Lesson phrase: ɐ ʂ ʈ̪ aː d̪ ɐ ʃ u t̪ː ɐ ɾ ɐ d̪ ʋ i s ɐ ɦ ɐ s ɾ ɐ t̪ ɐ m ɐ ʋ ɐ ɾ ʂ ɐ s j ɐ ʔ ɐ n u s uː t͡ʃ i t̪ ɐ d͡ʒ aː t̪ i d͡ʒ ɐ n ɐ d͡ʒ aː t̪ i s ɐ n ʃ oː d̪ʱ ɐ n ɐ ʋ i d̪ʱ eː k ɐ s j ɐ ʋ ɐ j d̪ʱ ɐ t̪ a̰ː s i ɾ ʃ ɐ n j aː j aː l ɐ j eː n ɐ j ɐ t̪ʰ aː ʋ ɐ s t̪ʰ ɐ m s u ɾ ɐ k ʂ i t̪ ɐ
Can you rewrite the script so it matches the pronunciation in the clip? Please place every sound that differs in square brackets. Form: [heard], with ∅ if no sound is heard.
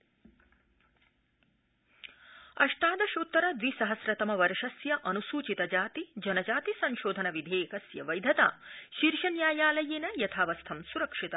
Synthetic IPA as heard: ɐ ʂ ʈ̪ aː d̪ ɐ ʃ u t̪ː ɐ ɾ ɐ d̪ ʋ i s ɐ ɦ ɐ s ɾ ɐ t̪ ɐ m ɐ ʋ ɐ ɾ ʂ ɐ s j ɐ ʔ ɐ n u s uː t͡ʃ i t̪ ɐ d͡ʒ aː t̪ i d͡ʒ ɐ n ɐ d͡ʒ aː t̪ i s ɐ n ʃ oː d̪ʱ ɐ n ɐ ʋ i d̪ʱ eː k ɐ s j ɐ ʋ ɐ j d̪ʱ ɐ t̪ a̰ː [ʃ] i ɾ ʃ ɐ n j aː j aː l ɐ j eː n ɐ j ɐ t̪ʰ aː ʋ ɐ s t̪ʰ ɐ m s u ɾ ɐ k ʂ i t̪ ɐ